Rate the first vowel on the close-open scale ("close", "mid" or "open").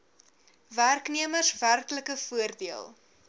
open